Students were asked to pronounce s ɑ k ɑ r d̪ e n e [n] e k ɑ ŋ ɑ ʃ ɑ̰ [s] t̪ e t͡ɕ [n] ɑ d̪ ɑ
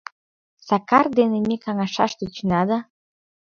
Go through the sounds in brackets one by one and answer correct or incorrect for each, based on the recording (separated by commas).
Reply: incorrect, incorrect, correct